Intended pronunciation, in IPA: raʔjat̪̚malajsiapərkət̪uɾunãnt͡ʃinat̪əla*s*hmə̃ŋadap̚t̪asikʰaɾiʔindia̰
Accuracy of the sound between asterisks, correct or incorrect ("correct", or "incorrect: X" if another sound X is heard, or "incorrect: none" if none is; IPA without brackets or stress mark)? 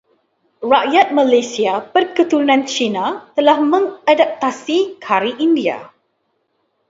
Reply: incorrect: none